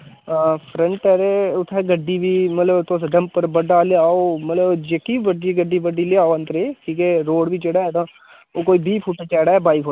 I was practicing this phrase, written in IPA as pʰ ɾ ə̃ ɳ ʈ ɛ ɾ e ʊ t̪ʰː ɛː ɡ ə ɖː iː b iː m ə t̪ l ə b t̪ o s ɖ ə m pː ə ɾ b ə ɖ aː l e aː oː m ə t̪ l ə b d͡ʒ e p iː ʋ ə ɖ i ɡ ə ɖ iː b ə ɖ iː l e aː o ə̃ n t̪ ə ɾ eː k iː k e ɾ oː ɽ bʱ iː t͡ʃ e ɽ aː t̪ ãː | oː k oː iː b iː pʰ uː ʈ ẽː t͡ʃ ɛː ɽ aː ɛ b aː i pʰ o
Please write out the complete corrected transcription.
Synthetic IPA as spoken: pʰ ɾ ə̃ ɳ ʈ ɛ ɾ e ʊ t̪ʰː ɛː ɡ ə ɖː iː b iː m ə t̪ l ə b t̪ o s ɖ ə m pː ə ɾ b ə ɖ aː l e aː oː m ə t̪ l ə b d͡ʒ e k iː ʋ ə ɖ i ɡ ə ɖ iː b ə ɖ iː l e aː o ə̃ n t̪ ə ɾ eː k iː k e ɾ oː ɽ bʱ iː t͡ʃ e ɽ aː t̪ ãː | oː k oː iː b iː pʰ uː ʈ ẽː t͡ʃ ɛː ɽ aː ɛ b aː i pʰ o